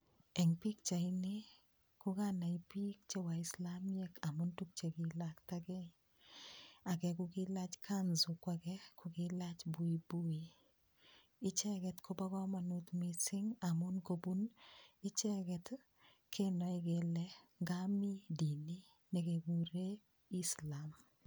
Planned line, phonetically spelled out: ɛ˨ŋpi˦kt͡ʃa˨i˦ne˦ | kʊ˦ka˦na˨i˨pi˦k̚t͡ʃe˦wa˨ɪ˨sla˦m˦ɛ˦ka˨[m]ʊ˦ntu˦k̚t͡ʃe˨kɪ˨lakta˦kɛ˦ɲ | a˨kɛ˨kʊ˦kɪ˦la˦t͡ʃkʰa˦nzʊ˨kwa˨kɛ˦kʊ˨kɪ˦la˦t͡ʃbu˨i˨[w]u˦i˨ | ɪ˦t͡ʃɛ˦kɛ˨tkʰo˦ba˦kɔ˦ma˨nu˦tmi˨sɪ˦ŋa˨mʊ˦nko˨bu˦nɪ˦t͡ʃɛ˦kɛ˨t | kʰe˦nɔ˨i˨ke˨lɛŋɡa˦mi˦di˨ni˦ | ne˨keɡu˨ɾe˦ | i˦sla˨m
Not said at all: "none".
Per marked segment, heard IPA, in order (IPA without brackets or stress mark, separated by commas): m, b